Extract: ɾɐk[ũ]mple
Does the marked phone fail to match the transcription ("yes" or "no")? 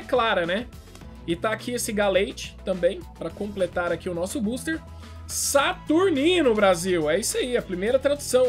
yes